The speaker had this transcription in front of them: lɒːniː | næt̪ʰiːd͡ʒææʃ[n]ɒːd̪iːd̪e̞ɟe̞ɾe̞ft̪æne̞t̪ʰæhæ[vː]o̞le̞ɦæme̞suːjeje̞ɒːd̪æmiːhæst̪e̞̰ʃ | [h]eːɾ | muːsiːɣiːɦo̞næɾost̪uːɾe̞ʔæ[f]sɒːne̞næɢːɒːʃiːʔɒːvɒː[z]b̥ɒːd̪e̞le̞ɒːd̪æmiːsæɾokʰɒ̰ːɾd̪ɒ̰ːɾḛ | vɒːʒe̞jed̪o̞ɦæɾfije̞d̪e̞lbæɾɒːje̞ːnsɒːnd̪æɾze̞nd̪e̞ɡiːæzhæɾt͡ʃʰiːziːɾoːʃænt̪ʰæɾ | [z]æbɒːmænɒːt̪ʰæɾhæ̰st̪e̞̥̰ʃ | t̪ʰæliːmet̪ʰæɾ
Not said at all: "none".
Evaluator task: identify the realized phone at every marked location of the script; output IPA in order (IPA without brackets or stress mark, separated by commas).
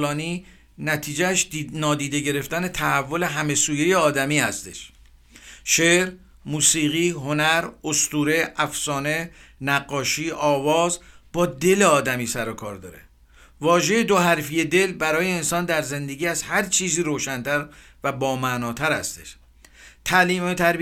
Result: n, vː, ʃ, f, z, v